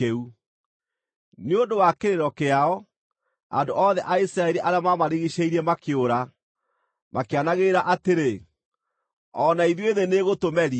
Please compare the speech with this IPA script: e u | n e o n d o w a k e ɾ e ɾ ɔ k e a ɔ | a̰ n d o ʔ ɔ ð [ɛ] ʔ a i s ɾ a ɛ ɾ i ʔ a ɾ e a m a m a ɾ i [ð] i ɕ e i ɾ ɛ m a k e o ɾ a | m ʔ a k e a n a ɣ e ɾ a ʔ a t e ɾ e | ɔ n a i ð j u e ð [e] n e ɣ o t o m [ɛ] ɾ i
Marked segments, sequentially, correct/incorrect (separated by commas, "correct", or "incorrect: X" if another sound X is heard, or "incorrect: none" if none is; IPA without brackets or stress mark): correct, incorrect: ɣ, correct, correct